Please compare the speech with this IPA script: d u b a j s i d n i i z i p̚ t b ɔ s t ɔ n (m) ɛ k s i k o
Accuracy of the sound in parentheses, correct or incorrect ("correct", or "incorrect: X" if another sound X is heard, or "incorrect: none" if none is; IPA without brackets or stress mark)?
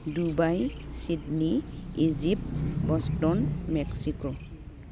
correct